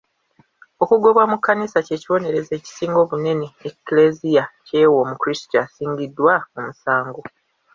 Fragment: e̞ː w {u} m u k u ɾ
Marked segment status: incorrect: o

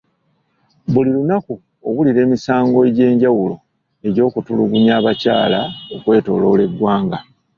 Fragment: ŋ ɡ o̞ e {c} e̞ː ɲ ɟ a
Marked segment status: incorrect: ɟ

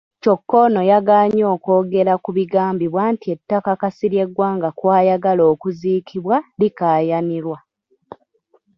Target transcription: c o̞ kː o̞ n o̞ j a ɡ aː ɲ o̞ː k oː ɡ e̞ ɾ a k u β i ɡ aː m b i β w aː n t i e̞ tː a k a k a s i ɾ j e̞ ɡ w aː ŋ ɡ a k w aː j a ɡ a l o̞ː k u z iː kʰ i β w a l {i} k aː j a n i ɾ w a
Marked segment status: correct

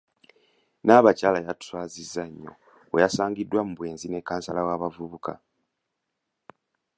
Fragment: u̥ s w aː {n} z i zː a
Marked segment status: incorrect: none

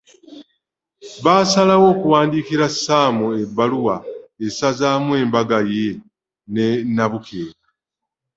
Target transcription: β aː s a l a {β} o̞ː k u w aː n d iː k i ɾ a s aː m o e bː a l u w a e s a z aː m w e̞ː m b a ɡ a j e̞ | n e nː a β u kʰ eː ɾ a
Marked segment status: incorrect: w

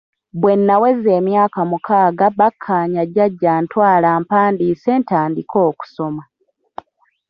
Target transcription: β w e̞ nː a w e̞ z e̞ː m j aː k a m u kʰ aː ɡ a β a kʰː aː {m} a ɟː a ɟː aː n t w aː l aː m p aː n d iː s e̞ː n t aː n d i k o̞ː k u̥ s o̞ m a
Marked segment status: incorrect: ɲ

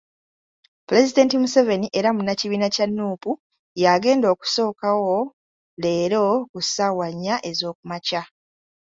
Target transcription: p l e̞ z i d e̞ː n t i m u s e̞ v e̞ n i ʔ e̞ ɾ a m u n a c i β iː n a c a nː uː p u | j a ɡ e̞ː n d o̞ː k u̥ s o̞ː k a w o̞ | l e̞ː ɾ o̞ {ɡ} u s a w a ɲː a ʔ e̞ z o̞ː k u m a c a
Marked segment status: incorrect: k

